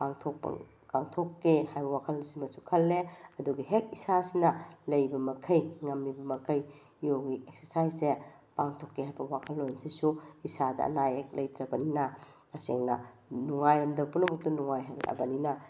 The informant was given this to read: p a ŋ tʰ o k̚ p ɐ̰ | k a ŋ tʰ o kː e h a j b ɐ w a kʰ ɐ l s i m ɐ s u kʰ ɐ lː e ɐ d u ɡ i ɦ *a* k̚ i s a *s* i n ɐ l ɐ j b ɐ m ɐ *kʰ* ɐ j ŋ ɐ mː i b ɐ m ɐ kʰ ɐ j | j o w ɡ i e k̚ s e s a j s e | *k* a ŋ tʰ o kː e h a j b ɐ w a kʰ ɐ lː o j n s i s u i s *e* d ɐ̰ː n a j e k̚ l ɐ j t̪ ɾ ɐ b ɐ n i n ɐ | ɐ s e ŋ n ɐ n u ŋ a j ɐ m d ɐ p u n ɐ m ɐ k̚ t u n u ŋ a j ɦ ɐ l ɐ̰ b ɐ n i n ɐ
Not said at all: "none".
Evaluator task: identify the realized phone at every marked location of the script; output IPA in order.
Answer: e, s, kʰ, p, a

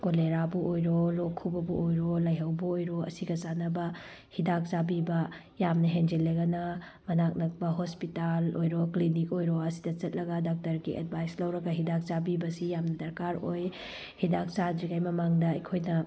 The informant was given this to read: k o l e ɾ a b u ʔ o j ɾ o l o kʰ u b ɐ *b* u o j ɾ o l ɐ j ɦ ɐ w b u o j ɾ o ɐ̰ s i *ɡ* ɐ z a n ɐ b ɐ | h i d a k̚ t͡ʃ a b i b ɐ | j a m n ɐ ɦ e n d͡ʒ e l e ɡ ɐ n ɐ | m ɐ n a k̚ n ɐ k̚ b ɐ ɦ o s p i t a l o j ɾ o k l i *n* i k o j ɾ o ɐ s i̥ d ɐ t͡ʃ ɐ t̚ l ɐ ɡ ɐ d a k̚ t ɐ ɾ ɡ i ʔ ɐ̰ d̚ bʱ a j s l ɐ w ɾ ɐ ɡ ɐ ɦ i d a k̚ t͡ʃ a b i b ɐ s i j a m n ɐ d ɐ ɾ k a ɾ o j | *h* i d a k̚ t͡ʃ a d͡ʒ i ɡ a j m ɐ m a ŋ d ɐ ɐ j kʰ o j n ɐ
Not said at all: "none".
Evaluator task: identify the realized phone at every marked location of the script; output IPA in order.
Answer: b, ɡ, n, h

